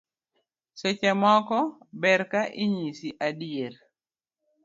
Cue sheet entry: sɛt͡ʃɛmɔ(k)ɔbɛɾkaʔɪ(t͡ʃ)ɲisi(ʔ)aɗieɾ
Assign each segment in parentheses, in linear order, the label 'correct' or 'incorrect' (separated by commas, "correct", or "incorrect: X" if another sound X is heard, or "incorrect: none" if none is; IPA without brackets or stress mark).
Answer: correct, incorrect: none, correct